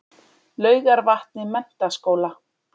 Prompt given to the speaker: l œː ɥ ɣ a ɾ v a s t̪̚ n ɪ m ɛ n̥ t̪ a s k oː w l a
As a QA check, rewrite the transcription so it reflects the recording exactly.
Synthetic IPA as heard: l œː ɥ ɣ a ɾ v a h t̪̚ n ɪ m ɛ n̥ t̪ a s k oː w l a